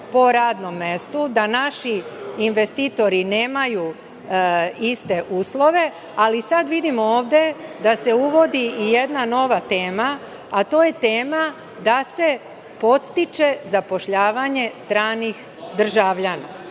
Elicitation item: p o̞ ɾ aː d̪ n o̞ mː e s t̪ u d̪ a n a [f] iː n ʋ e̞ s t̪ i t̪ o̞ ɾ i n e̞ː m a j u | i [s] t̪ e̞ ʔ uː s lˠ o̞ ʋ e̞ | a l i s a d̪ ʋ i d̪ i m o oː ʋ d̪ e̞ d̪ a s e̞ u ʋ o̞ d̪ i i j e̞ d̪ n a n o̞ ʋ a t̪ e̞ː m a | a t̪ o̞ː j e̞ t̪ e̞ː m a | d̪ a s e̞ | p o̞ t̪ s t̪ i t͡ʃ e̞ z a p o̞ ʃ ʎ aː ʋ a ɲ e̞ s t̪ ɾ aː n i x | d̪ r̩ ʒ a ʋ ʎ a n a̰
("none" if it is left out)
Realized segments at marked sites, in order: ʃ, s

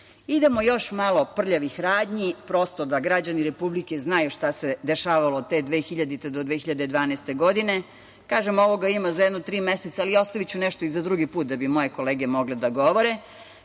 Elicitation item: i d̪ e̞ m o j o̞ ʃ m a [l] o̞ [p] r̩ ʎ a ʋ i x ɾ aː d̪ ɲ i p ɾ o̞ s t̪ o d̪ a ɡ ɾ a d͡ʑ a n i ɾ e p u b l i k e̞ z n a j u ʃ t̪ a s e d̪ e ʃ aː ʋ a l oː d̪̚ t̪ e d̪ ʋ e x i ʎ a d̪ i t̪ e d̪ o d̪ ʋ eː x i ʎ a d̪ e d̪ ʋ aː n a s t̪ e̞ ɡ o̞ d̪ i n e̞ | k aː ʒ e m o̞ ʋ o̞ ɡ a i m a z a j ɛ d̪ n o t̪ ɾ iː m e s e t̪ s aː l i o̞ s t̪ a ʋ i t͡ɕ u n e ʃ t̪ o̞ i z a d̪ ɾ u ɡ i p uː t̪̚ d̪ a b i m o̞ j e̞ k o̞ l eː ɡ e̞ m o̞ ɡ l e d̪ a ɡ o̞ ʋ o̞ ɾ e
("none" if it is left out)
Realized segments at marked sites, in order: l, p

